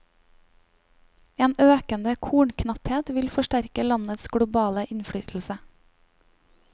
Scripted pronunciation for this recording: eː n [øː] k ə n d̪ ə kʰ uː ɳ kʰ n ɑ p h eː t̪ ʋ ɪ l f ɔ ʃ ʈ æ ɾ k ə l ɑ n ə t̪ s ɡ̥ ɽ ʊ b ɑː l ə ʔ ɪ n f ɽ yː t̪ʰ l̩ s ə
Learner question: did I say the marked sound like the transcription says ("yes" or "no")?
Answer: yes